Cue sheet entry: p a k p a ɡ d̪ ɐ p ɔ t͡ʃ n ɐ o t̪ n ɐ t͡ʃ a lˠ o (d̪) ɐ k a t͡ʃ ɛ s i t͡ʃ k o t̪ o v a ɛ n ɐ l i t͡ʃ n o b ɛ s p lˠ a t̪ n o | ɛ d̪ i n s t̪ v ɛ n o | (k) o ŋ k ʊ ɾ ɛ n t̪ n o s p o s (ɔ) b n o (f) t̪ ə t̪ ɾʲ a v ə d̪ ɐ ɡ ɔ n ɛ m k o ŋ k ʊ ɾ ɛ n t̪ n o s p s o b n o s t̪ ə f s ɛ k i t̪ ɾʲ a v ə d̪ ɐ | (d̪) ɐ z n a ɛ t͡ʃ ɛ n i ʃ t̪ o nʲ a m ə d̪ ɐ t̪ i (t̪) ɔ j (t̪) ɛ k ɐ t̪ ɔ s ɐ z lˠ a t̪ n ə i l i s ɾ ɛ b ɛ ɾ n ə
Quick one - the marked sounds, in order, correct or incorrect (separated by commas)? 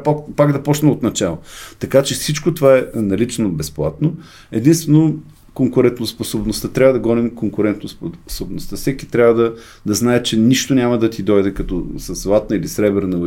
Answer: incorrect, correct, incorrect, incorrect, correct, incorrect, incorrect